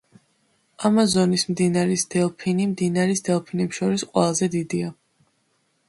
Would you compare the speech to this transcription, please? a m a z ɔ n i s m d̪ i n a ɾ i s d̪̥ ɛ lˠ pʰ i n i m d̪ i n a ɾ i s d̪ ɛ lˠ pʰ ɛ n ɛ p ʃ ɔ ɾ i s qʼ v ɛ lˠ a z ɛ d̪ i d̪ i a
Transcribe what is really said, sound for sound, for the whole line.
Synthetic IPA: a m a z ɔ n i s m d̪ i n a ɾ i s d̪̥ ɛ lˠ pʰ i n i m d̪ i n a ɾ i s d̪ ɛ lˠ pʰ i n ɛ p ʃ ɔ ɾ i s qʼ w ɛ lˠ a z ɛ d̪ i d̪ i a

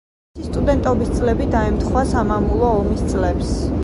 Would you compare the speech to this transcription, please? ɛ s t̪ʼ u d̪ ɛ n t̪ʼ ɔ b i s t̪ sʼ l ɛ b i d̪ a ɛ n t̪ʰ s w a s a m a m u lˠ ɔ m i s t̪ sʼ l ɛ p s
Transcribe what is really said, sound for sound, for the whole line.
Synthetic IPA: i s t̪ʼ u d̪ ɛ n t̪ʼ ɔ b i s t̪ sʼ l ɛ b i d̪ a ɛ m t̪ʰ χ w a s a m a m u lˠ ɔː m i s t̪ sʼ l ɛ p s

